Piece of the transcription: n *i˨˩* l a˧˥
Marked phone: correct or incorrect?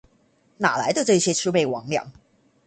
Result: incorrect: a˨˩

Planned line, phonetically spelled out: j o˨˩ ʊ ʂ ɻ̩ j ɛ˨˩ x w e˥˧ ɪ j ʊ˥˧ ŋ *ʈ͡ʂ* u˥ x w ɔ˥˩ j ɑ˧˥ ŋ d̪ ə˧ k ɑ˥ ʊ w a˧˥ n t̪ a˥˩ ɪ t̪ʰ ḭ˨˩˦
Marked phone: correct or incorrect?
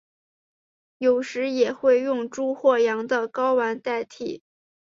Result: correct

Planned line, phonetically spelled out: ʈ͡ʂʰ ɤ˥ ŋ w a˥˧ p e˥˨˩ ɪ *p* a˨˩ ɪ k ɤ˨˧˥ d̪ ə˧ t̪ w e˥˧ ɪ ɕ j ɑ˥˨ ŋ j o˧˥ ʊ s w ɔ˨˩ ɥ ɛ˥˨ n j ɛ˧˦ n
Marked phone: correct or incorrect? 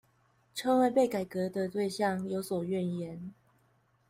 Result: incorrect: k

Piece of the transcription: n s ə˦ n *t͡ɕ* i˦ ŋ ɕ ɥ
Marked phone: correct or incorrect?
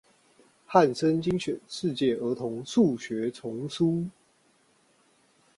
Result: correct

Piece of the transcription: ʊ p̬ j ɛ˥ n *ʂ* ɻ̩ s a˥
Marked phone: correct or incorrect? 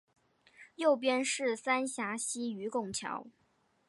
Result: correct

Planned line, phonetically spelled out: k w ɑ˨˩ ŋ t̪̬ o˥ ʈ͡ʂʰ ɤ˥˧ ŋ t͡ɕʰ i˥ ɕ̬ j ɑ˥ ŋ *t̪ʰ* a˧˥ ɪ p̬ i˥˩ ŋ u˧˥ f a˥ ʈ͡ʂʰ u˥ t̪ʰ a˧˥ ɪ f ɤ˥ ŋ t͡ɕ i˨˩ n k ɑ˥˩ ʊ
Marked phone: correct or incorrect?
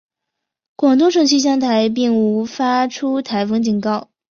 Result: correct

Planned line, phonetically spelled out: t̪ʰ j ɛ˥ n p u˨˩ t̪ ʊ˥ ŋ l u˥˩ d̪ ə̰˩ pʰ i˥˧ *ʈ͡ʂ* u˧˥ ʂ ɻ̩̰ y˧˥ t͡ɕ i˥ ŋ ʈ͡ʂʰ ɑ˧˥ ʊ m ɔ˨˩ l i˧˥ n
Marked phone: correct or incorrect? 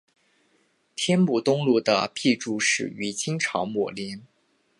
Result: correct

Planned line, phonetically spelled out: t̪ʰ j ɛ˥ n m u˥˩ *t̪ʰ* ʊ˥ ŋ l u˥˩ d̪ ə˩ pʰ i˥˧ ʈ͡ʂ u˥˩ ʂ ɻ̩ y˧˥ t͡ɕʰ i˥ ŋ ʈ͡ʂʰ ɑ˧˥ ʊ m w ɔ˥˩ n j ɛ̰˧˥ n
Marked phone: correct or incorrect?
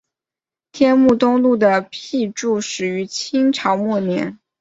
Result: incorrect: t̪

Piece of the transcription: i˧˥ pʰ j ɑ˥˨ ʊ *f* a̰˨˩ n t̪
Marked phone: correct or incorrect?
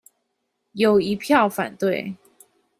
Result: correct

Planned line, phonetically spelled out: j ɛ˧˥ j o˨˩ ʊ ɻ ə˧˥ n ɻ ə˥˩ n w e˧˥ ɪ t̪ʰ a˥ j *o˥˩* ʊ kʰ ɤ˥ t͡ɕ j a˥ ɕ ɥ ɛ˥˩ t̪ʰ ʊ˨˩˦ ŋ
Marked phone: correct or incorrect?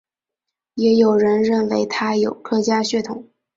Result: incorrect: o˨˩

